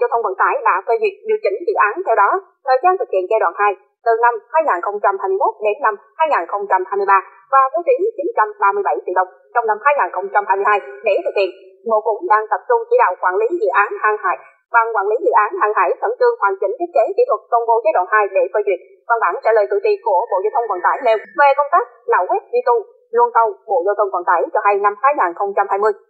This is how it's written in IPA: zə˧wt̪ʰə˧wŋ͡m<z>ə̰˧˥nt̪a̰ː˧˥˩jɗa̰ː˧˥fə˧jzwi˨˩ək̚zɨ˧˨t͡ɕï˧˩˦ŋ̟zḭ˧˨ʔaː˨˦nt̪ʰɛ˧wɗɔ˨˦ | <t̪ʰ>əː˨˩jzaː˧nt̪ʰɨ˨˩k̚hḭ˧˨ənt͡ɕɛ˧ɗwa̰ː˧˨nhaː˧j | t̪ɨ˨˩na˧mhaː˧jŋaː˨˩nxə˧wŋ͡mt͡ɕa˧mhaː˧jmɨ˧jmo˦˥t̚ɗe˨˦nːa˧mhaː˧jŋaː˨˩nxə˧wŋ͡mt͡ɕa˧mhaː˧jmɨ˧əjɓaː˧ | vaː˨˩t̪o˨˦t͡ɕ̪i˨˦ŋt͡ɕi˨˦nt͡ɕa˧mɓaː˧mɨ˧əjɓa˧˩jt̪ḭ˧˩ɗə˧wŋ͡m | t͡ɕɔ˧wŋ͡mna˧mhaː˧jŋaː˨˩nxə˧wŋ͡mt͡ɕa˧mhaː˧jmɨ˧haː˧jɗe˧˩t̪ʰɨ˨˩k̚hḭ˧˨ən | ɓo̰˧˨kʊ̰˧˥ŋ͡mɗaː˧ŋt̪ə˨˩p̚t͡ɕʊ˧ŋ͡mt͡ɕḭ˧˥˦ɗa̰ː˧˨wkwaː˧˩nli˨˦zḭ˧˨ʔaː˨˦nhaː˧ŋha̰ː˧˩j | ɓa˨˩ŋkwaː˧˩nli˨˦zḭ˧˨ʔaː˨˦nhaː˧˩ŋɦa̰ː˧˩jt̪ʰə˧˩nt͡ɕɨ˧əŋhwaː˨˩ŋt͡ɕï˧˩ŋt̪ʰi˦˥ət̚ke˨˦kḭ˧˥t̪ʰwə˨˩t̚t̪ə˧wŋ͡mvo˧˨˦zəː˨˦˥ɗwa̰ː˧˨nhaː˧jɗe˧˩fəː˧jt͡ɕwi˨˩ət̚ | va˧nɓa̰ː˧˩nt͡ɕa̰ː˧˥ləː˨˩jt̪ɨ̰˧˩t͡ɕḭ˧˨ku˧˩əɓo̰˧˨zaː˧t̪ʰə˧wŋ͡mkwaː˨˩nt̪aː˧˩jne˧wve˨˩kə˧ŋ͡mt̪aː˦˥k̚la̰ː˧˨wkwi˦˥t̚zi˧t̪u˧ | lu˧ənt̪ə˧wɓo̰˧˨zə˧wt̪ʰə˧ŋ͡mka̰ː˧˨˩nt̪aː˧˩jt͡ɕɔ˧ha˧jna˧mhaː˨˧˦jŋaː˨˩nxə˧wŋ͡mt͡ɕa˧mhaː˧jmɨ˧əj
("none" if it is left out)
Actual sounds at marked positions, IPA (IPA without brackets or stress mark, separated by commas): v, t̪ʰ